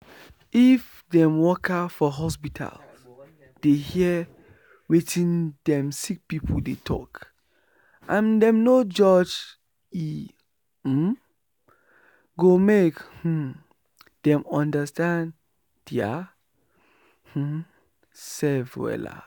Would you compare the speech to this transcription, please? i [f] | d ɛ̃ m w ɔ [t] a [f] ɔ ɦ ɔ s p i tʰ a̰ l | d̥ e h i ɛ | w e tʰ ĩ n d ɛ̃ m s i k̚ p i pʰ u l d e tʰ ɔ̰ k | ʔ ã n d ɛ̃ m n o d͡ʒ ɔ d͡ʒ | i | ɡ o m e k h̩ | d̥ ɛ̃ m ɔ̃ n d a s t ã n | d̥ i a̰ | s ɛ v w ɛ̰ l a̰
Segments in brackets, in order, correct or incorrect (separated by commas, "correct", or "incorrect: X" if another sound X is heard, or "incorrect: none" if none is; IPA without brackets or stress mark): correct, incorrect: k, correct